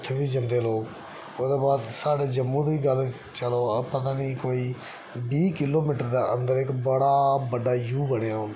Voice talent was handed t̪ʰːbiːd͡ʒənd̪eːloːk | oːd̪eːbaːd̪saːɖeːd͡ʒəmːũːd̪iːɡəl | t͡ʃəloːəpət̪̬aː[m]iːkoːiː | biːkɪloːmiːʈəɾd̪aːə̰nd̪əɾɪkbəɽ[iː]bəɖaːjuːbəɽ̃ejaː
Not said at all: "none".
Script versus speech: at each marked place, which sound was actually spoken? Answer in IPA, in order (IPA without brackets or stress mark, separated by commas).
n, aː